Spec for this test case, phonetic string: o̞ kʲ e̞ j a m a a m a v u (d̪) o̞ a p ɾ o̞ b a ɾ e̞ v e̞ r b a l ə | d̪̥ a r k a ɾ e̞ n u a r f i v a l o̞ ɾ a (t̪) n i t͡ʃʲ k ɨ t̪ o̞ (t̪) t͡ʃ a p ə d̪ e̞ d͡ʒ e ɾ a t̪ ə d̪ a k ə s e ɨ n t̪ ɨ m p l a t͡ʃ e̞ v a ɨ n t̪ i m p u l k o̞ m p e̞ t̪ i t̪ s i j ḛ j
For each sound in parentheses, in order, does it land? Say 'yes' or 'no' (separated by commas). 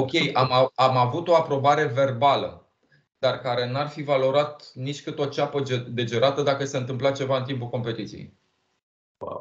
no, yes, no